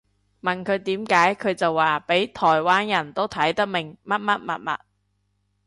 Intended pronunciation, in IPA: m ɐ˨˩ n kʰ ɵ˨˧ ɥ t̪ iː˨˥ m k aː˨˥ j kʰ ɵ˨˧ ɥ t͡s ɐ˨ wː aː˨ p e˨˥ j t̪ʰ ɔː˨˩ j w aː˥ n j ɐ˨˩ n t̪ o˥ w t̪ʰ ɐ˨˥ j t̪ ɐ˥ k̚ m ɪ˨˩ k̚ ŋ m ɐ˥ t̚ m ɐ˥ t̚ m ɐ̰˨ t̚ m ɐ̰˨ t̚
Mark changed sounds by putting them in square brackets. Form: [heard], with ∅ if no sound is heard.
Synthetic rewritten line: m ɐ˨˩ n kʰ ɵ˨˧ ɥ t̪ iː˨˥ m k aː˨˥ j kʰ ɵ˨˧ ɥ t͡s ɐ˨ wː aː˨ p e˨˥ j t̪ʰ ɔː˨˩ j w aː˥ n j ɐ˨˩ n t̪ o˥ w t̪ʰ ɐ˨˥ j t̪ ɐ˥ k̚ m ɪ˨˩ [∅] ŋ m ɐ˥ t̚ m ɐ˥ t̚ m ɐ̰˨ t̚ m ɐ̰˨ t̚